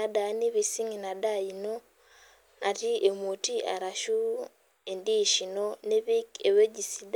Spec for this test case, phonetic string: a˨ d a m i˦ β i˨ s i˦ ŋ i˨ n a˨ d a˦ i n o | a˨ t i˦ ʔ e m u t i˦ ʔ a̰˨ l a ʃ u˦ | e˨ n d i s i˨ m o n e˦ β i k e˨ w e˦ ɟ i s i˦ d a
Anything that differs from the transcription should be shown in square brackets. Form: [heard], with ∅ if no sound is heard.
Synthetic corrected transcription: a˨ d a [n] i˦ β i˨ s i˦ ŋ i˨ n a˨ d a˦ i n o | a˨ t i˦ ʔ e m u t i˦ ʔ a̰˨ [ɾ] a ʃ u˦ | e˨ n d i [ʃ] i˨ [n] o n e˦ β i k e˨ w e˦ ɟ i s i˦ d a